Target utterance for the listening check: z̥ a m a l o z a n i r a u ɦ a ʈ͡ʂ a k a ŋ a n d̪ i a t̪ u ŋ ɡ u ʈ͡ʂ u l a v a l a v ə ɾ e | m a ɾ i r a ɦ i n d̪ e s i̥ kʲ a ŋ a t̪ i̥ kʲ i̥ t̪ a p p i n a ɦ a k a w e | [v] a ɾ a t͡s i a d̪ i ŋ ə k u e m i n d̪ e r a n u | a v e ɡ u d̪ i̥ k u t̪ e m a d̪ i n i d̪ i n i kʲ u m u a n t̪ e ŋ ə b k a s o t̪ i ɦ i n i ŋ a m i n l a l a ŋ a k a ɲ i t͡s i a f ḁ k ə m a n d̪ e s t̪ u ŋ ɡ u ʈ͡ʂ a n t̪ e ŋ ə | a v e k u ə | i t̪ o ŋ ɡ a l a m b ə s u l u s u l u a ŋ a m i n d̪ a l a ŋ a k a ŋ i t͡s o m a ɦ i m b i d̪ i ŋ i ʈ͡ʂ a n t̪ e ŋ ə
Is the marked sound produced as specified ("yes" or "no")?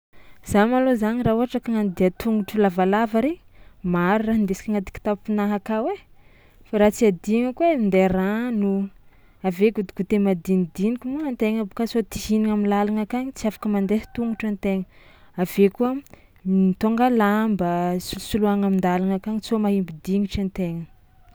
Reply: no